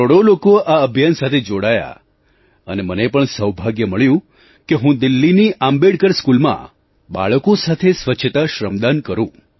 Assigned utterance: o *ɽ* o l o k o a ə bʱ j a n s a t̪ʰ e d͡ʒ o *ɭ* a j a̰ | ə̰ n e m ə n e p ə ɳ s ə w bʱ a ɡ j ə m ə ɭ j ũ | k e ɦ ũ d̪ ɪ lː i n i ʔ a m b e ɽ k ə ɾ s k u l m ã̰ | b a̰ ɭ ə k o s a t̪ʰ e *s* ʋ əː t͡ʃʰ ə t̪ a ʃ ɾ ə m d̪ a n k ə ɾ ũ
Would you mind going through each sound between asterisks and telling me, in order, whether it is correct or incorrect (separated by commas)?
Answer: correct, incorrect, correct